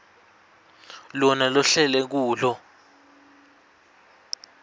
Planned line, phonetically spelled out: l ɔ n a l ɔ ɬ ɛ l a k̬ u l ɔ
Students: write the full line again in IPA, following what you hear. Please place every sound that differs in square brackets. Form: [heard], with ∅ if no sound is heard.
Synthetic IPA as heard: l ɔ n a l ɔ ɬ ɛ l [ɛ] k̬ [uː] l ɔ